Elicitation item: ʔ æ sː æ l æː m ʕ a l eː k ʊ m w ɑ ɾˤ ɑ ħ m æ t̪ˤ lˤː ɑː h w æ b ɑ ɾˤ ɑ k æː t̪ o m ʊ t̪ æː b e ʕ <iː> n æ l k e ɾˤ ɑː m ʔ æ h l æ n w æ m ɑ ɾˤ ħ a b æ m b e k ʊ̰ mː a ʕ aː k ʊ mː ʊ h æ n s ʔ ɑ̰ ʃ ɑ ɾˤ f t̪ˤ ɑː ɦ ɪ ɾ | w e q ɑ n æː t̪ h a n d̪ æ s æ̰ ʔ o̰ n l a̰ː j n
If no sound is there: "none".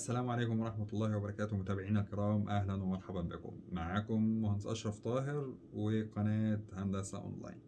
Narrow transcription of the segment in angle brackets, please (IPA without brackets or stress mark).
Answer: iː